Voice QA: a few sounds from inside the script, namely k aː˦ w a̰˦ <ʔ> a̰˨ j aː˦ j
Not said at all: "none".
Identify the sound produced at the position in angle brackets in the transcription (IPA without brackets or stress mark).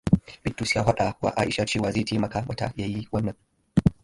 t